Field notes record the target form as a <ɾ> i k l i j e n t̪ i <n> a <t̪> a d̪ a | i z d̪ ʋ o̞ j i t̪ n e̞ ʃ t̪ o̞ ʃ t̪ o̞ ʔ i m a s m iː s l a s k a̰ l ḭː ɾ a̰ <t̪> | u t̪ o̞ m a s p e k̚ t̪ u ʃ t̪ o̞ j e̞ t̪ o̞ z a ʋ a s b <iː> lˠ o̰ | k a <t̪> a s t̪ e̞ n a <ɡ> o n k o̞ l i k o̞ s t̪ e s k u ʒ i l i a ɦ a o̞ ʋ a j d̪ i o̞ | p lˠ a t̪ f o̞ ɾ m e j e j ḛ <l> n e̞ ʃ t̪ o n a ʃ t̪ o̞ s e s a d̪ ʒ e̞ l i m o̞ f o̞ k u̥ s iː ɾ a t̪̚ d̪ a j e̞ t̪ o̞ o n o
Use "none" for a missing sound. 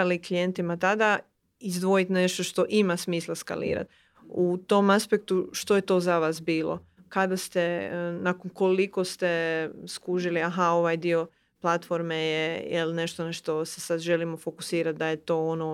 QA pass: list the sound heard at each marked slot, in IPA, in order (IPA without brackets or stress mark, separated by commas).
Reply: l, m, t̪, t̪, iː, d̪, k, l